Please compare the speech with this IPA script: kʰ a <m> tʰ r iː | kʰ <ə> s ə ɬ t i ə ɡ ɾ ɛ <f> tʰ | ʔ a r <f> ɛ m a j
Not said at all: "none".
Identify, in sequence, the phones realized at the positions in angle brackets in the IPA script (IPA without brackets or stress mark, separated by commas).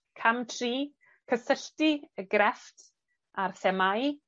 m, ə, f, θ